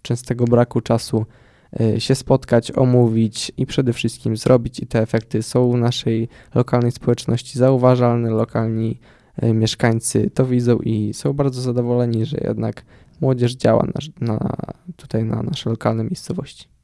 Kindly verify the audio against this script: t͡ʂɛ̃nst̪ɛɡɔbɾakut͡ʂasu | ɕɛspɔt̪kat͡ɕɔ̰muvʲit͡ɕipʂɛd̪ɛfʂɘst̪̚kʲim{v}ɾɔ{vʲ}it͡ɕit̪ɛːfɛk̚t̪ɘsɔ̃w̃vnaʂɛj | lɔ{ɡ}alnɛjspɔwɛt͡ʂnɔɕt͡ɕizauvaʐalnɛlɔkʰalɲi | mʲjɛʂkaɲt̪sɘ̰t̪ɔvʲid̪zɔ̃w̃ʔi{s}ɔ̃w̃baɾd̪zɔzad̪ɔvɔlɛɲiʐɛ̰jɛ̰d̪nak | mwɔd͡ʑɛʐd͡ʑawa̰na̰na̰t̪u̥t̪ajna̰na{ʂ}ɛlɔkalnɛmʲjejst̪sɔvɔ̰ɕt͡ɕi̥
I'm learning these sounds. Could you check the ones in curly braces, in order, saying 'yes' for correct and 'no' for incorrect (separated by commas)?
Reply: no, no, no, yes, yes